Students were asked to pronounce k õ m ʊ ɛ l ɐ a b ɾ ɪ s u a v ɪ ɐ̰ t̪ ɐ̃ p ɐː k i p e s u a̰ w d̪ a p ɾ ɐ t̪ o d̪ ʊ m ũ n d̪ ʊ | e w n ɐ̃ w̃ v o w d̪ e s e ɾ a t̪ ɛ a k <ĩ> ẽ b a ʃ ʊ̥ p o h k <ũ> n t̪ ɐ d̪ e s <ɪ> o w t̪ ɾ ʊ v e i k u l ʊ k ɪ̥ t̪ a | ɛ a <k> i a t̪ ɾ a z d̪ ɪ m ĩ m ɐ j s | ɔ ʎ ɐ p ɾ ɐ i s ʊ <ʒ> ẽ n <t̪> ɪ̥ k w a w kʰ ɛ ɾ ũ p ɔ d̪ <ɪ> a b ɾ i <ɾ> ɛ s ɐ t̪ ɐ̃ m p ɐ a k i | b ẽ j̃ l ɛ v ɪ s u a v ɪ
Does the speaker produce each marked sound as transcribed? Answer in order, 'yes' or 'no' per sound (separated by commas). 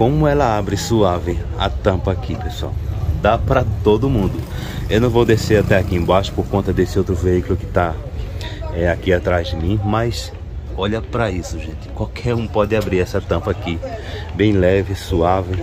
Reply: no, no, yes, yes, yes, yes, yes, yes